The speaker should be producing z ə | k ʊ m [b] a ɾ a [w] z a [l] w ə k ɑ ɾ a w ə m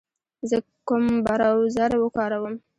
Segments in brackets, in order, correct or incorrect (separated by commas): correct, correct, incorrect